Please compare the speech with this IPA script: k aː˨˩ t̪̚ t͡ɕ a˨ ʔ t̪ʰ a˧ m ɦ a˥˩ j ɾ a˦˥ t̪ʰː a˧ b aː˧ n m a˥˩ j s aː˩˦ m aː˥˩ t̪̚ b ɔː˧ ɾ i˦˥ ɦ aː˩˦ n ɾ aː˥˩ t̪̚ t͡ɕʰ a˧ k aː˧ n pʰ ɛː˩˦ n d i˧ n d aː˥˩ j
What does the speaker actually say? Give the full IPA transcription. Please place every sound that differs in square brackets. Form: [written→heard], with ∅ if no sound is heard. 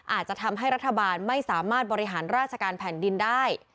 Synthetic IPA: [k→ʔ] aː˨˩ t̪̚ t͡ɕ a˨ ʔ t̪ʰ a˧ m ɦ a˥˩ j ɾ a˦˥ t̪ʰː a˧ b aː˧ n m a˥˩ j s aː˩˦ m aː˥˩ t̪̚ b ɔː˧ ɾ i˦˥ ɦ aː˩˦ n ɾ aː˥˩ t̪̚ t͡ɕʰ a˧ k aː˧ n pʰ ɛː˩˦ n d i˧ n d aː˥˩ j